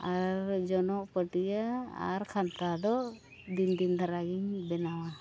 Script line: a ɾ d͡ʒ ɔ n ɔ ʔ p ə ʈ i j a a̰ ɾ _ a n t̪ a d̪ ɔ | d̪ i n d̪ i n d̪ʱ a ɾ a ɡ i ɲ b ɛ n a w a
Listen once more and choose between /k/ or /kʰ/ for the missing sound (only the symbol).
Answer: kʰ